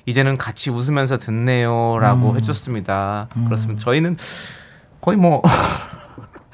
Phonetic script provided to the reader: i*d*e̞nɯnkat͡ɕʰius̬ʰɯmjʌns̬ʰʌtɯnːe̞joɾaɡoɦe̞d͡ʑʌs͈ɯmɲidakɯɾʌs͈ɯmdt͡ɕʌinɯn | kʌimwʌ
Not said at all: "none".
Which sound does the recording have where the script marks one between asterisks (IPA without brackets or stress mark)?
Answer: d͡ʑ